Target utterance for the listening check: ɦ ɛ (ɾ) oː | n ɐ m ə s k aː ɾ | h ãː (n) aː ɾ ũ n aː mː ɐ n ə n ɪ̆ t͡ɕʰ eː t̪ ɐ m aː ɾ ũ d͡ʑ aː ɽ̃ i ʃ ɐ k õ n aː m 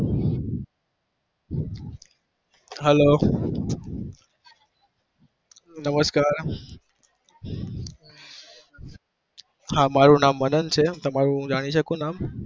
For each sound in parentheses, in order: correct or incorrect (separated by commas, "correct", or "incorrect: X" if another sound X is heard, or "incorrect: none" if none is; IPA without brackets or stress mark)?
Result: incorrect: l, incorrect: m